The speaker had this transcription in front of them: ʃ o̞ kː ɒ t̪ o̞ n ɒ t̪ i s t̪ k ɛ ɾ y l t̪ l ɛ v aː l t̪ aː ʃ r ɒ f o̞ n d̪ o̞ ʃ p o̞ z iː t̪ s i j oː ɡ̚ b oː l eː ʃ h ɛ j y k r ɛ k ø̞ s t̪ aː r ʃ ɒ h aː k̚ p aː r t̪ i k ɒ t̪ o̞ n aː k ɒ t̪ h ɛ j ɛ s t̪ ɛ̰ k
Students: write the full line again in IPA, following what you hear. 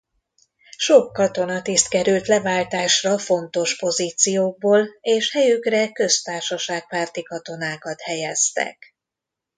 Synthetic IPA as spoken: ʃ o̞ kː ɒ t̪ o̞ n ɒ t̪ i s t̪ k ɛ ɾ y l t̪ l ɛ v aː l t̪ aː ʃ r ɒ f o̞ n t̪ o̞ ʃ p o̞ z iː t̪ s i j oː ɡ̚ b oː l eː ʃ h ɛ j y k r ɛ k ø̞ s t̪ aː r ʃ ɒ ʃ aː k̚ p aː r t̪ i k ɒ t̪ o̞ n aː k ɒ t̪ h ɛ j ɛ s t̪ ɛ̰ k